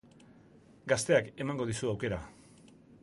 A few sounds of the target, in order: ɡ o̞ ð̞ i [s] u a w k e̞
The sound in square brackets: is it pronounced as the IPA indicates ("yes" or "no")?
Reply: yes